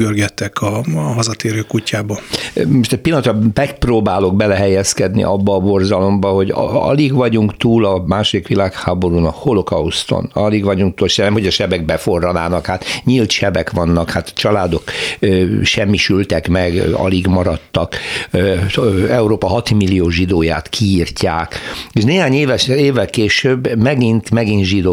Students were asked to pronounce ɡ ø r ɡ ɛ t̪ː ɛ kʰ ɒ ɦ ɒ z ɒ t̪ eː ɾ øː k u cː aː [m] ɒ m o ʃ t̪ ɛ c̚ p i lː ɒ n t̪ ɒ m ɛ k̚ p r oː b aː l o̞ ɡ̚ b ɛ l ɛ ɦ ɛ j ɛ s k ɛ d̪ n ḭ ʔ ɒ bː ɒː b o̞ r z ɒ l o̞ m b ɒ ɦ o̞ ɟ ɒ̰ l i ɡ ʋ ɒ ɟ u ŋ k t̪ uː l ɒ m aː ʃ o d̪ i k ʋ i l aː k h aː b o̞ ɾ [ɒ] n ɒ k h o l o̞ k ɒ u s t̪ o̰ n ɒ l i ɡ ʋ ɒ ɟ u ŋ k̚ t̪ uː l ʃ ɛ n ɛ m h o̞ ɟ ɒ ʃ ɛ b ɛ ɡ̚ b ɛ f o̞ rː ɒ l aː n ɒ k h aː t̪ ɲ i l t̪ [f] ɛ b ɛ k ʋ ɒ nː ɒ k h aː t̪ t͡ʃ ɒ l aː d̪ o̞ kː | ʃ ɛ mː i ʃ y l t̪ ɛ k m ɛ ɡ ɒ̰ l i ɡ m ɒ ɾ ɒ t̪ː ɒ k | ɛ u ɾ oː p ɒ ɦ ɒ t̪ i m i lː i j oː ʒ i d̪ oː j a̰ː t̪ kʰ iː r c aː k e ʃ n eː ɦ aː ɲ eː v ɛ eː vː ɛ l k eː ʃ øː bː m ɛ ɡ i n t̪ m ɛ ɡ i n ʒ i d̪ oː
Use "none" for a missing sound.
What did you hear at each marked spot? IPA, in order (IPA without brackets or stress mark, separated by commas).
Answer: b, u, ʃ